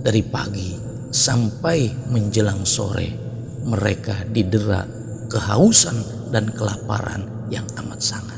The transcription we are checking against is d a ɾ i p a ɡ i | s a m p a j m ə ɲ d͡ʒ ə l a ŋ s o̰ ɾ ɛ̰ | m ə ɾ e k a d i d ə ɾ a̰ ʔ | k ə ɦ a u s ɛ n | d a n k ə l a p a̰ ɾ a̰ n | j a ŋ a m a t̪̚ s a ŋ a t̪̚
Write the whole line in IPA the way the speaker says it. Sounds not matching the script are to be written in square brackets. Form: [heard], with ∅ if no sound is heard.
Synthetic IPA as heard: d a ɾ i p a ɡ i | s a m p a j m ə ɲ d͡ʒ ə l a ŋ s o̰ ɾ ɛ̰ | m ə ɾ e k a d i d ə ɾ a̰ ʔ | k ə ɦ a u s [a] n | d a n k ə l a p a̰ ɾ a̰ n | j a ŋ a m a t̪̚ s a ŋ a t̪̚

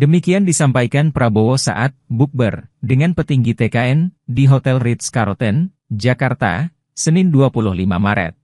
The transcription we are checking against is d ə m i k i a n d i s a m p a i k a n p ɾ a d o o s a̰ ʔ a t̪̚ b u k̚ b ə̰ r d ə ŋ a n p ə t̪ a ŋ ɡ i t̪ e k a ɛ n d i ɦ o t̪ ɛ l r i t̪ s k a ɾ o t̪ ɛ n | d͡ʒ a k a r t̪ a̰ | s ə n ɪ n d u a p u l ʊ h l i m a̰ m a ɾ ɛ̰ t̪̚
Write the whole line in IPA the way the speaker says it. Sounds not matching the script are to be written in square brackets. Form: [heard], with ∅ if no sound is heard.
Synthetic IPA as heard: d ə m i k i a n d i s a m p a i k a n p ɾ a [b] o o s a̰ ʔ a t̪̚ b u k̚ b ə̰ r d ə ŋ a n p ə t̪ [i] ŋ ɡ i t̪ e k a ɛ n d i ɦ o t̪ ɛ l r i t̪ s k a ɾ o t̪ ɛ n | d͡ʒ a k a r t̪ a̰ | s ə n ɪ n d u a p u l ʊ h l i m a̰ m a ɾ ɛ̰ t̪̚

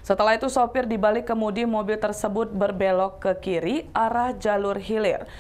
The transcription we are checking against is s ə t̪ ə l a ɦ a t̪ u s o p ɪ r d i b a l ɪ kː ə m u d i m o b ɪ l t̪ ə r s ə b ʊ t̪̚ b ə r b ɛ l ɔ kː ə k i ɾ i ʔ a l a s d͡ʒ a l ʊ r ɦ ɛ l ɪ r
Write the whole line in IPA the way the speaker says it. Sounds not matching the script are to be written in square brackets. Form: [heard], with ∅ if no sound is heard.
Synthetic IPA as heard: s ə t̪ ə l a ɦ [i] t̪ u s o p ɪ r d i b a l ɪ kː ə m u d i m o b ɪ l t̪ ə r s ə b ʊ t̪̚ b ə r b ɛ l ɔ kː ə k i ɾ i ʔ a [ɾ] a [h] d͡ʒ a l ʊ r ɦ [i] l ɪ r

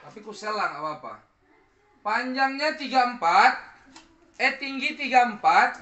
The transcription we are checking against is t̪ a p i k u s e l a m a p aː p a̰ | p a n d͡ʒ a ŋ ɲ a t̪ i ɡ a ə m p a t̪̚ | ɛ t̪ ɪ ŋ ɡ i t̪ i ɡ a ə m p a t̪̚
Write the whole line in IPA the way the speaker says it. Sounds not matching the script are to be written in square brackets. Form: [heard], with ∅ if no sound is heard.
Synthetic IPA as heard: t̪ a p i k u s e l a [ŋ] a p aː p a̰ | p a [ɲ] d͡ʒ a ŋ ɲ a t̪ i ɡ a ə m p a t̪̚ | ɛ t̪ [i] ŋ ɡ i t̪ i ɡ a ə m p a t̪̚

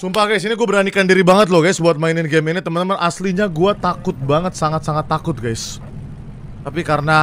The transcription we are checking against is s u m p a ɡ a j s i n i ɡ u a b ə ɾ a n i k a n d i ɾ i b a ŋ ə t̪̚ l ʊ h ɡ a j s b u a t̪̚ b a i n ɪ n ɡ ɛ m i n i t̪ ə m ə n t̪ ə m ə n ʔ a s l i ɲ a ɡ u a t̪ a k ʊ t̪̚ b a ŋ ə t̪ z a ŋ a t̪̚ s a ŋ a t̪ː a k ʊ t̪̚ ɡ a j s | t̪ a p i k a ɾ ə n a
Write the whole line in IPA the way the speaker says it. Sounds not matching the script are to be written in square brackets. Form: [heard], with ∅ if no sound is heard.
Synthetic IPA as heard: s u m p a ɡ a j s i n i ɡ u a b ə ɾ a n i k a n d i ɾ i b a ŋ ə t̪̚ l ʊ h ɡ a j s b u a t̪̚ [m] a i n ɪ n ɡ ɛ m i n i t̪ ə m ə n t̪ ə m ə n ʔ a s l i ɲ a ɡ u a t̪ a k ʊ t̪̚ b a ŋ ə t̪ [s] a ŋ a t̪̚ s a ŋ a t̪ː a k ʊ t̪̚ ɡ a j s | t̪ a p i k a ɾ ə n a

